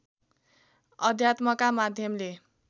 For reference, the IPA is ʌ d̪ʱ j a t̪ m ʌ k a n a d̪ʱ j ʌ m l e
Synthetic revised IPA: ʌ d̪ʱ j a t̪ m ʌ k a m a d̪ʱ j ʌ m l e